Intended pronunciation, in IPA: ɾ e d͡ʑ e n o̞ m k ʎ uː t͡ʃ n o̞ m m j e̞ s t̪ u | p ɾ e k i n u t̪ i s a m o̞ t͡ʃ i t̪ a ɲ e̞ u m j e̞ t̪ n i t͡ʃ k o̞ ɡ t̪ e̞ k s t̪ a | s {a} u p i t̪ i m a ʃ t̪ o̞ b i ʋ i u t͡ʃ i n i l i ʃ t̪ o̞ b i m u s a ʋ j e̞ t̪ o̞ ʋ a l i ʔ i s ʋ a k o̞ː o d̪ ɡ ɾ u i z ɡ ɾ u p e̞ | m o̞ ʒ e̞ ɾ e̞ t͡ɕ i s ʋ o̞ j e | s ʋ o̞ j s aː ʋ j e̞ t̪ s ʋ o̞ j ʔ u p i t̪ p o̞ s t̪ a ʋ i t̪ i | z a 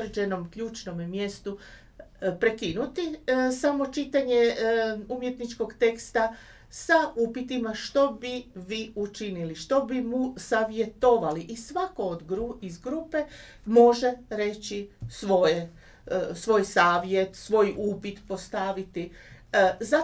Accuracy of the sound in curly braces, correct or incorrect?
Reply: correct